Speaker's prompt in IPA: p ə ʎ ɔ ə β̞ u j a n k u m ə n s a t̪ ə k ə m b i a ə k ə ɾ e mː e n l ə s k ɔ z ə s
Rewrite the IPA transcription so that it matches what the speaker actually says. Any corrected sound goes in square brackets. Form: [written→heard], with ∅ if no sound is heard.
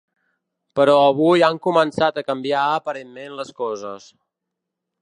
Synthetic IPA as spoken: p ə [ʎ→ɾ] ɔ ə β̞ u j a [n→ŋ] k u m ə n s a t̪ ə k ə m b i a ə [k→p] ə ɾ e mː e n l ə s k ɔ z ə s